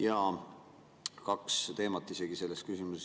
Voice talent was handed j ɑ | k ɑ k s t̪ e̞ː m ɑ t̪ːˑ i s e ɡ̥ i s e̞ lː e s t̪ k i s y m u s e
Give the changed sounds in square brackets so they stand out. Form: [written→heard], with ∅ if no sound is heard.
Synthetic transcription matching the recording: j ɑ | k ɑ k s t̪ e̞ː m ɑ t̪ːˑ i s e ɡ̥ i s e̞ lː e s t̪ k [i→y] s [y→i] m u s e